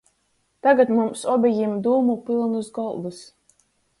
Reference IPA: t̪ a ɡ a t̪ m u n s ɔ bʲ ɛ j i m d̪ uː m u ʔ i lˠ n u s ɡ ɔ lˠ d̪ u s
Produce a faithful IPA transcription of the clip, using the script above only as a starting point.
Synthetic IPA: t̪ a ɡ a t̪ m u m s ɔ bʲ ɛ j i m d̪ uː m u p i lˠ n u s ɡ ɔ lˠ d̪ u s